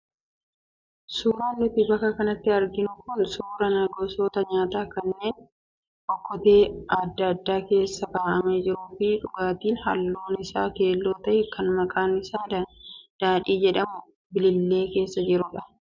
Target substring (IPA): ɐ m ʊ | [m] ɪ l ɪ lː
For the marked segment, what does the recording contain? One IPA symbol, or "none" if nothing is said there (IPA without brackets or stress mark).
b